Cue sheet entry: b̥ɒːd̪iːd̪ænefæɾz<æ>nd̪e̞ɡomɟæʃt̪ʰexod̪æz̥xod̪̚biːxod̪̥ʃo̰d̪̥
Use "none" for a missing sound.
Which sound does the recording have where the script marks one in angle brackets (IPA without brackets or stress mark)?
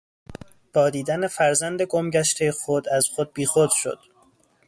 æ